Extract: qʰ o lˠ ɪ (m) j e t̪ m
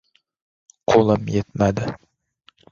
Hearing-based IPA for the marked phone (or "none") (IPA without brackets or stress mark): m